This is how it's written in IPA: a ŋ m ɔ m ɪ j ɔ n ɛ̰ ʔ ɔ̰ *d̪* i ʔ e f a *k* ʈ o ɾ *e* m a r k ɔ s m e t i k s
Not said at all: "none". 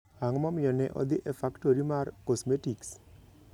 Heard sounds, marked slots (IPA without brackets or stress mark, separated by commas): d̪, k, i